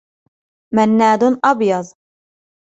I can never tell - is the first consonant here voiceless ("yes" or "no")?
no